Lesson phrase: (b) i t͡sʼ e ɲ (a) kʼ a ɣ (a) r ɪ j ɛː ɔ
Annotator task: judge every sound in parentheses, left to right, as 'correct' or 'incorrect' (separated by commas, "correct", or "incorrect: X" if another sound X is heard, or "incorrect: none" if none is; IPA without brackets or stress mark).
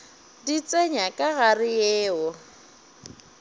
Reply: incorrect: d, correct, correct